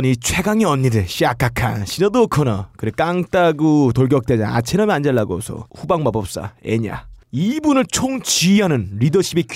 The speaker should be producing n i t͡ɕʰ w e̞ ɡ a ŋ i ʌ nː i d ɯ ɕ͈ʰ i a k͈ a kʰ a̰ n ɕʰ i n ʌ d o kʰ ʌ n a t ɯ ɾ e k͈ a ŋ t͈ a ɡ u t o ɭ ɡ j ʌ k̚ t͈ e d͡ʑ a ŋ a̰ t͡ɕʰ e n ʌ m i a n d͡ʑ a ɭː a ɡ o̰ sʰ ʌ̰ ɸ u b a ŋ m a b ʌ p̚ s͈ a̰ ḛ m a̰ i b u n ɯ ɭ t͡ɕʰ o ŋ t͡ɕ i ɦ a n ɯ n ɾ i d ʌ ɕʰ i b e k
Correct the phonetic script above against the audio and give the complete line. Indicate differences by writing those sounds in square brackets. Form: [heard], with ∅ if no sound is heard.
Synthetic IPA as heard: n i t͡ɕʰ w e̞ ɡ a ŋ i ʌ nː i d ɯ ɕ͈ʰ i a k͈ a kʰ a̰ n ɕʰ i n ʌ d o kʰ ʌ n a [k] ɯ ɾ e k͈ a ŋ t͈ a ɡ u t o ɭ ɡ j ʌ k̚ t͈ e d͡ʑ a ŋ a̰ t͡ɕʰ e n ʌ m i a n d͡ʑ a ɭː a ɡ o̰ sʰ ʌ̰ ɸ u b a ŋ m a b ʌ p̚ s͈ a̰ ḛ [ɲ] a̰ i b u n ɯ ɭ t͡ɕʰ o ŋ t͡ɕ i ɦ a n ɯ n ɾ i d ʌ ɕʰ i b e k